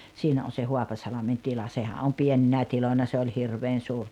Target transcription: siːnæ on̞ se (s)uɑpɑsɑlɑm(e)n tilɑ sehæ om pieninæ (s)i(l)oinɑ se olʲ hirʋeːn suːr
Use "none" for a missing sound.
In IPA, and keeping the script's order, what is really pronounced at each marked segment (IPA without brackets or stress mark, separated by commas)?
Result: h, e, t, l